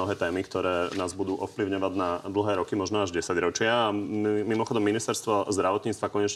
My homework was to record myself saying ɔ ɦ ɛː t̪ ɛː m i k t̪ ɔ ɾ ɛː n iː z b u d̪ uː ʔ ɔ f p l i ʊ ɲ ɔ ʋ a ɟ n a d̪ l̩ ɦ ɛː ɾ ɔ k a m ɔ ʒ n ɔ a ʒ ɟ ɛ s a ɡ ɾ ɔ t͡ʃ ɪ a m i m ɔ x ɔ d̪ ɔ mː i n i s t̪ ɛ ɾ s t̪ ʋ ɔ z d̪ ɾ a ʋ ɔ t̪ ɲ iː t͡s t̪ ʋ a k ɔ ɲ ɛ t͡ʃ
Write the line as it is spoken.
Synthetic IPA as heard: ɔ ɦ ɛː t̪ ɛː m i k t̪ ɔ ɾ ɛː n aː z b u d̪ uː ʔ ɔ f p l i ʊ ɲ ɔ ʋ a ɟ n a d̪ l̩ ɦ ɛː ɾ ɔ k i m ɔ ʒ n ɔ a ʒ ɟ ɛ s a ɟ ɾ ɔ t͡ʃ ɪ a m i m ɔ x ɔ d̪ ɔ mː i n i s t̪ ɛ ɾ s t̪ ʋ ɔ z d̪ ɾ a ʋ ɔ t̪ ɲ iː t͡s t̪ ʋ a k ɔ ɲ ɛ t͡ʃ